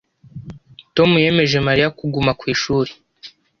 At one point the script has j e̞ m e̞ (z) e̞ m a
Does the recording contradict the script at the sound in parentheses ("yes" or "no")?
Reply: yes